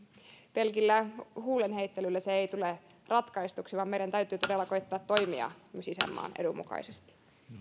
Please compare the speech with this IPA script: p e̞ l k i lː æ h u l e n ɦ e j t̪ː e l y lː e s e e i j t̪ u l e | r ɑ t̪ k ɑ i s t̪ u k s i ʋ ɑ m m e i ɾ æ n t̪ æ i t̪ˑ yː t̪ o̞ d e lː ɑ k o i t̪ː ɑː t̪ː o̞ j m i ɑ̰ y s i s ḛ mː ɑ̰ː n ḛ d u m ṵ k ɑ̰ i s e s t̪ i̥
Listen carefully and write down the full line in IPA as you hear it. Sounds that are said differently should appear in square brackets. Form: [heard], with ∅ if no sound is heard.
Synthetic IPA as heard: p e̞ l k i lː æ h [uː] l e n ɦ e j t̪ː e l y lː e s e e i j t̪ u l e | r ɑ t̪ k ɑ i s t̪ u k s i ʋ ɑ m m e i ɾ æ n t̪ æ [y] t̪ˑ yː t̪ o̞ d e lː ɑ k o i t̪ː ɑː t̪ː o̞ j m i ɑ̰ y s i s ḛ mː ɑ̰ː n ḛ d u m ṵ k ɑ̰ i s e s t̪ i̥